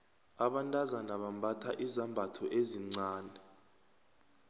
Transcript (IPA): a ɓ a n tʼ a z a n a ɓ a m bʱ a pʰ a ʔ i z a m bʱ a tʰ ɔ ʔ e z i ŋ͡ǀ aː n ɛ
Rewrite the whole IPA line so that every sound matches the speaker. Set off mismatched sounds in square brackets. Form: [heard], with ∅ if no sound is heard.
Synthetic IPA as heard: a ɓ a n tʼ a z a n a ɓ a m bʱ a [tʰ] a ʔ i z a m bʱ a tʰ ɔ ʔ e z i ŋ͡ǀ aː n ɛ